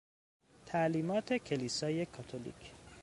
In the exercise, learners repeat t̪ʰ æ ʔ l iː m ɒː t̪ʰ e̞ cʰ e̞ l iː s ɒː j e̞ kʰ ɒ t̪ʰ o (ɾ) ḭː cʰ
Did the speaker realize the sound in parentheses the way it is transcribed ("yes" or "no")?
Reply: no